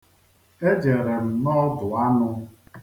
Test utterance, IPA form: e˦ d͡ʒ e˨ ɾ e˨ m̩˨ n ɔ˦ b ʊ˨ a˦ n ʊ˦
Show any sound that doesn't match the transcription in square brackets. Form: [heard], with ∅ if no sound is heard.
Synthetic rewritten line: e˦ d͡ʒ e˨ ɾ e˨ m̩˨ n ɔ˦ [d] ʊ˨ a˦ n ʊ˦